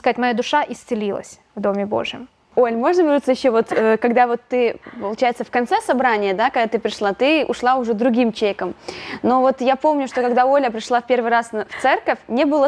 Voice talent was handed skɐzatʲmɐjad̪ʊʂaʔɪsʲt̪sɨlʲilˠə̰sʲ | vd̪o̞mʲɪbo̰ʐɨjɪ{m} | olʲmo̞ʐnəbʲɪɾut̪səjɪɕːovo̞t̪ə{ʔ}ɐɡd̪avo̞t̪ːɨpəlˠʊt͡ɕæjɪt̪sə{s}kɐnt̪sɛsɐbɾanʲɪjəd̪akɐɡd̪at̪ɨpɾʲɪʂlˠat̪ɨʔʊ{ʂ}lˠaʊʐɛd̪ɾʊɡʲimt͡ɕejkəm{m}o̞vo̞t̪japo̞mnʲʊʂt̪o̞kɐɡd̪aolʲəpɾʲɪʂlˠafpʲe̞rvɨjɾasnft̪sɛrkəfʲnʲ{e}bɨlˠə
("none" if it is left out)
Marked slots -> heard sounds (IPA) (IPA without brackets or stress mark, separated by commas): m, k, f, ʂ, n, e